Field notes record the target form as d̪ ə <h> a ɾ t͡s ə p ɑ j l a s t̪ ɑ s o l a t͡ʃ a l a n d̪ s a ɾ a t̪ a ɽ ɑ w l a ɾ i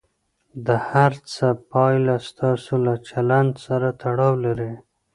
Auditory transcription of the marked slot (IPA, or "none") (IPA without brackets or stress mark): h